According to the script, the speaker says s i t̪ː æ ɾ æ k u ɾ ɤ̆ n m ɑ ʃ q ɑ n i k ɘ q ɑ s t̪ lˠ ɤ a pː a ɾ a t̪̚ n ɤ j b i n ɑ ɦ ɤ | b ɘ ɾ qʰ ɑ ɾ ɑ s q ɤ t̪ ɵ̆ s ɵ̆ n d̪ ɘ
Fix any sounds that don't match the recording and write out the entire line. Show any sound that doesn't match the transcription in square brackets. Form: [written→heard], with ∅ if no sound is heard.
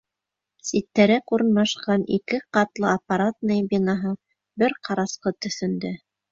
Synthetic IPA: s i t̪ː æ ɾ æ k u ɾ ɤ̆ n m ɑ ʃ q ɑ n i k ɘ q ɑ [s→∅] t̪ lˠ ɤ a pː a ɾ a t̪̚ n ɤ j b i n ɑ ɦ ɤ | b ɘ ɾ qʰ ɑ ɾ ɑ s q ɤ t̪ ɵ̆ [s→θ] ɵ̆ n d̪ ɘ